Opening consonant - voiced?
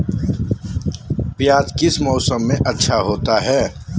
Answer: no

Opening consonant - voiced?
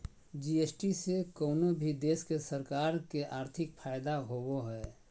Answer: yes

